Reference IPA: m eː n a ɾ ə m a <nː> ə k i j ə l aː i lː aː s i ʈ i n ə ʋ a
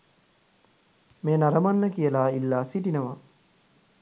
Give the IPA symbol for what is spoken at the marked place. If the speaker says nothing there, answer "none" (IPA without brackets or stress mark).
nː